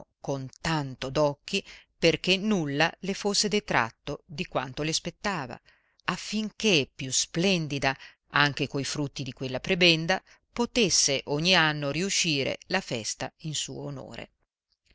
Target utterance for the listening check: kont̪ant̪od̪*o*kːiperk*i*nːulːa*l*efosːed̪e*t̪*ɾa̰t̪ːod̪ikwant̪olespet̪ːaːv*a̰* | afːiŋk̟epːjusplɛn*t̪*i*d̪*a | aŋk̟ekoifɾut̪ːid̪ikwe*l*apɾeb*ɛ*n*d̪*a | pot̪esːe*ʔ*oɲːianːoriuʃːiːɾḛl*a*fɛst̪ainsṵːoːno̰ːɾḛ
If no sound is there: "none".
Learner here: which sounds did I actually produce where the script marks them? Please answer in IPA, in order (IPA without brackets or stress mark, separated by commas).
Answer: ɔ, e, l, t̪, a̰, d̪, d̪, lː, ɛ, d̪, ʔ, a